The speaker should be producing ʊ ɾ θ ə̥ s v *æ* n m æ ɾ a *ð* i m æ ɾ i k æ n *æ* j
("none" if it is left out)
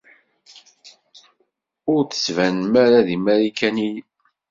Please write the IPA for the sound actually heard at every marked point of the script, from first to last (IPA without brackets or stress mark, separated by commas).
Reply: æ, ð, i